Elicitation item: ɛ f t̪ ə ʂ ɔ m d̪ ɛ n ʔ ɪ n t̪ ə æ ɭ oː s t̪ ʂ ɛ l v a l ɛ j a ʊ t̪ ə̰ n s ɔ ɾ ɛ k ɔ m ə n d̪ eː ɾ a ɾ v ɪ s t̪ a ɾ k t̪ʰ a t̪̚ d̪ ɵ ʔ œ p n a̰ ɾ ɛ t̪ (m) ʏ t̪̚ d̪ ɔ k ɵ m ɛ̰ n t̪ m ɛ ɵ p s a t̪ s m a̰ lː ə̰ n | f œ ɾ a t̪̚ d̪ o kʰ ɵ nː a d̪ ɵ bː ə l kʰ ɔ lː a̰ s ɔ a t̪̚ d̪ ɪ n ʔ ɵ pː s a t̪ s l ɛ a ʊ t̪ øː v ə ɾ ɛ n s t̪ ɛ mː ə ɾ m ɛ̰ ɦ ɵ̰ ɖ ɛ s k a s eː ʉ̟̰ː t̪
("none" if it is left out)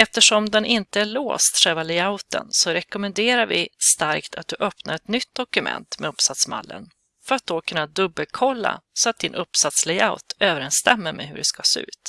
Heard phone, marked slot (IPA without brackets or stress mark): n